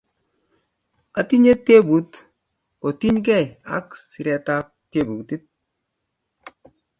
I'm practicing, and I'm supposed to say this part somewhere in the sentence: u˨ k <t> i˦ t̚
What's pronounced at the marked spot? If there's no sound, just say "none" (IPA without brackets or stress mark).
t